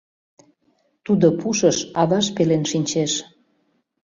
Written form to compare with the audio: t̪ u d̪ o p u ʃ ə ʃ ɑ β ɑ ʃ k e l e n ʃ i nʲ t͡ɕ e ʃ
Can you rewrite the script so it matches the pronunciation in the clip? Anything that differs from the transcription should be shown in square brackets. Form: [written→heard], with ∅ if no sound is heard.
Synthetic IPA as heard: t̪ u d̪ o p u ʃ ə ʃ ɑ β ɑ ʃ [k→p] e l e n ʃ i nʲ t͡ɕ e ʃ